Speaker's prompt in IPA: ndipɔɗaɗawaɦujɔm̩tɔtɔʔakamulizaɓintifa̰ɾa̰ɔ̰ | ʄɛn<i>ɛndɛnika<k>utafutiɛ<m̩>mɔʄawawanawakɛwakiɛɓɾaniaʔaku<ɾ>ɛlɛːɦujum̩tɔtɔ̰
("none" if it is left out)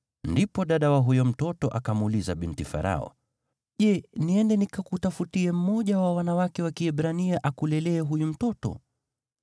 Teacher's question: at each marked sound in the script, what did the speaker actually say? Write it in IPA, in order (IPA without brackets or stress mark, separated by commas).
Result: i, k, m̩, l